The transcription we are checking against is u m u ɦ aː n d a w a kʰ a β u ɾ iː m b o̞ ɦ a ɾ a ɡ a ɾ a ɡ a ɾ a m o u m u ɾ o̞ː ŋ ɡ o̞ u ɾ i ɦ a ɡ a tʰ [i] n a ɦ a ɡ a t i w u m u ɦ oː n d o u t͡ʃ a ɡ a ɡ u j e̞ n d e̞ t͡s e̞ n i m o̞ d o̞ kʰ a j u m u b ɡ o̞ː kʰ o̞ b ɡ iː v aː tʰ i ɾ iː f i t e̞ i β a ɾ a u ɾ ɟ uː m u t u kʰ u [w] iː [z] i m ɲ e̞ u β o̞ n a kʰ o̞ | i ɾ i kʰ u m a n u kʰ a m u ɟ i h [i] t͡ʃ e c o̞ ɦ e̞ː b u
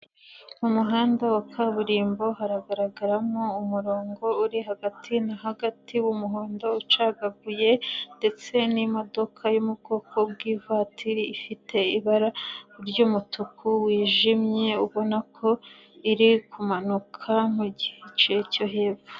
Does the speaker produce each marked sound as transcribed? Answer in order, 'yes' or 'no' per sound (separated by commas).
yes, yes, no, no